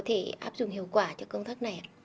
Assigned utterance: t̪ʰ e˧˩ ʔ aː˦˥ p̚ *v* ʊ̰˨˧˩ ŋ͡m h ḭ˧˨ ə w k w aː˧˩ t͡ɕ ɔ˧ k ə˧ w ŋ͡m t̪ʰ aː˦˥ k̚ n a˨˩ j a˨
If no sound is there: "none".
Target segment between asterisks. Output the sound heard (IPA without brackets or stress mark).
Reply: z